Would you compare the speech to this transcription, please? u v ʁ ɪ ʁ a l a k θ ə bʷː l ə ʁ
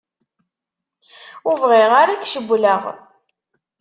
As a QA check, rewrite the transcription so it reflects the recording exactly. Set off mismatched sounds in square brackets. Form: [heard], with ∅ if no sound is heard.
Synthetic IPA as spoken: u v ʁ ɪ ʁ a [ɾ] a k [ʃ] ə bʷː l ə ʁ